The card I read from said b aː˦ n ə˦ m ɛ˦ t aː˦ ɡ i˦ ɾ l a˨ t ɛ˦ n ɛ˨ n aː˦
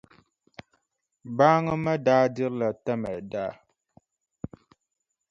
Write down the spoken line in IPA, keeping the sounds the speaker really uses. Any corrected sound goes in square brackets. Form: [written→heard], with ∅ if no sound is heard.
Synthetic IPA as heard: b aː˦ [n→ŋ] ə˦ m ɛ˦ [t→d] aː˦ [ɡ→d] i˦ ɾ l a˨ t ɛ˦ [n→m] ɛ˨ [n→d] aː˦